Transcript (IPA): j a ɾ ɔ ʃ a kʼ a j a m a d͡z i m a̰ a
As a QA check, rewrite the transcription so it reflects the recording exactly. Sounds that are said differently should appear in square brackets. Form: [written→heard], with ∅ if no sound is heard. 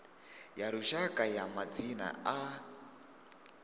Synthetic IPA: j a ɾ [ɔ→u] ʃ a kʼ a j a m a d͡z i [m→n] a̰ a